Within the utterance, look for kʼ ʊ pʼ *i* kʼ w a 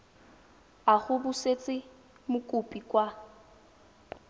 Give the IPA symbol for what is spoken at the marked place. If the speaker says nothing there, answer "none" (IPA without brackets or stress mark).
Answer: i